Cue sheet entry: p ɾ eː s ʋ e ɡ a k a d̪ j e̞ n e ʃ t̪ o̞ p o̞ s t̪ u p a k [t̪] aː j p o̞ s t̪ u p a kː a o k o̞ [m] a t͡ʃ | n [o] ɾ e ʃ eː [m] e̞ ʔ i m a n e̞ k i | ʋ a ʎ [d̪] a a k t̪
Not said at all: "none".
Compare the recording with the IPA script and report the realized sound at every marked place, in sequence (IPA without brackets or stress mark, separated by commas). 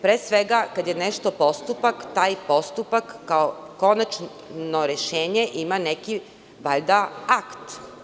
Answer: t̪, n, o, ɲ, d̪